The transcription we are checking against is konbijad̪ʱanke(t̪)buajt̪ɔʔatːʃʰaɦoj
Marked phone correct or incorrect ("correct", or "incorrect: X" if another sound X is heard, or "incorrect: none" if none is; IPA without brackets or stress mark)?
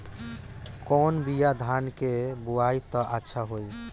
incorrect: none